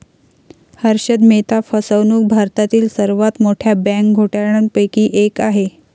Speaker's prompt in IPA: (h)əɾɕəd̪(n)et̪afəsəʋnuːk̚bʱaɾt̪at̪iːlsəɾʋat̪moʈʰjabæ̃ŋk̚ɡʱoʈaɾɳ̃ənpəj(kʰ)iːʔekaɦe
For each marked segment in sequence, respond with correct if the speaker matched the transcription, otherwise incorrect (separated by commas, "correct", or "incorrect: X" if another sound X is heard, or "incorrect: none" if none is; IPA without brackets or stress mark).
correct, incorrect: m, incorrect: k